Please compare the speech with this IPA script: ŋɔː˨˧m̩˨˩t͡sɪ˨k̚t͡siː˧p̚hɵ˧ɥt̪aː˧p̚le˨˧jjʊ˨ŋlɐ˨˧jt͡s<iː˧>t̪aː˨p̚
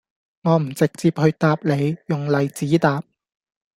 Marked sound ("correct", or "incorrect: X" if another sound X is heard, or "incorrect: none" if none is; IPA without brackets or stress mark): incorrect: iː˨˥